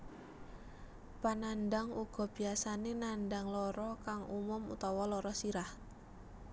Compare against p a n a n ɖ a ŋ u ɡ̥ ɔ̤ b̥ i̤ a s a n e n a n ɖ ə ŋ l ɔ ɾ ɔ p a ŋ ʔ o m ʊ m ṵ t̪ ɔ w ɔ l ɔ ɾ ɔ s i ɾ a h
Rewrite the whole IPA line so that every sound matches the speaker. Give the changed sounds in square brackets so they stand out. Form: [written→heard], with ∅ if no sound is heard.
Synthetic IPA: p a n a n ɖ a ŋ u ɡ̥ ɔ̤ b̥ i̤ a s a n e n a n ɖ [ə→a] ŋ l ɔ ɾ ɔ [p→k] a ŋ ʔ [o→u] m ʊ m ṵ t̪ ɔ w ɔ l ɔ ɾ ɔ s i ɾ a h